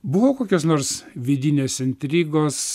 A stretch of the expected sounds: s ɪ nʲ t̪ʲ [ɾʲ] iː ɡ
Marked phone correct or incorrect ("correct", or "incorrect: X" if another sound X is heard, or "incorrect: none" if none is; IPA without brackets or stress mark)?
correct